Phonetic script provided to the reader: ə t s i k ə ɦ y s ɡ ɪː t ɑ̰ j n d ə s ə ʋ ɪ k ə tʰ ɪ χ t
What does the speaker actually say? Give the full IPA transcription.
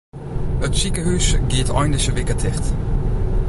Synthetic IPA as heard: ə t s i k ə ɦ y s ɡ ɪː t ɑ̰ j n d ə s ə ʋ ɪ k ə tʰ ɪ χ t